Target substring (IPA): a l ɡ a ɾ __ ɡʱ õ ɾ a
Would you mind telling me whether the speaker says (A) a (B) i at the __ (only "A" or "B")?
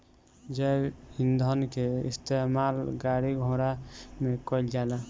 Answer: B